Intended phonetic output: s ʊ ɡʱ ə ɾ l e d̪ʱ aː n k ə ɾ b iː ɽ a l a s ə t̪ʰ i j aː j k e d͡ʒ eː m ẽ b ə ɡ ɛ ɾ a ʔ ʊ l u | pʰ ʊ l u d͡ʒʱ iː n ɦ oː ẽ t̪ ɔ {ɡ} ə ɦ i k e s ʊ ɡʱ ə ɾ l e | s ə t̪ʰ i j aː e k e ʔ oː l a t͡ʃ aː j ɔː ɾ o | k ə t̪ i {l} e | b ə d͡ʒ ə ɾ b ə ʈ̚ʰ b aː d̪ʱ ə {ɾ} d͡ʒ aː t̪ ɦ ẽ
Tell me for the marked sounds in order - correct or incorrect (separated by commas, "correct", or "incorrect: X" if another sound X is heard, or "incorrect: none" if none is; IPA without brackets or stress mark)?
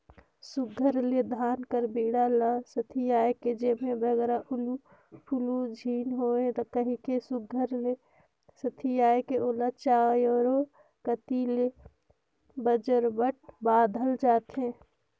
incorrect: k, correct, incorrect: l